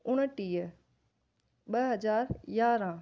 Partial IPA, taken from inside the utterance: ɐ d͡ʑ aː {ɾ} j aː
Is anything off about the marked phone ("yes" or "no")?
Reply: no